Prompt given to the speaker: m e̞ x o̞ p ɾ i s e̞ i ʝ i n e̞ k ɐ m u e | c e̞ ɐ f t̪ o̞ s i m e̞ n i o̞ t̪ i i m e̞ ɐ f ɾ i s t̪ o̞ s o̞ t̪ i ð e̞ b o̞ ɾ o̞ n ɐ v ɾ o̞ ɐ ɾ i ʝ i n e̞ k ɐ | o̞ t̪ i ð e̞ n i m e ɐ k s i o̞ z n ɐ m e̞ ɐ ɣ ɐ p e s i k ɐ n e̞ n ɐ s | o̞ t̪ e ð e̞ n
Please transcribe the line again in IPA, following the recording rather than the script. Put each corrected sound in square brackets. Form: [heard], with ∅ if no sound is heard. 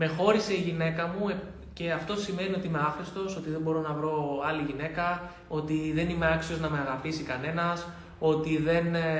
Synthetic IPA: m e̞ x o̞ [∅] ɾ i s e̞ i ʝ i n e̞ k ɐ m u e | c e̞ ɐ f t̪ o̞ s i m e̞ n i o̞ t̪ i i m e̞ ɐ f ɾ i s t̪ o̞ s o̞ t̪ i ð e̞ b o̞ ɾ o̞ n ɐ v ɾ o̞ ɐ [l] i ʝ i n e̞ k ɐ | o̞ t̪ i ð e̞ n i m e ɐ k s i o̞ z n ɐ m e̞ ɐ ɣ ɐ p [i] s i k ɐ n e̞ n ɐ s | o̞ t̪ [i] ð e̞ n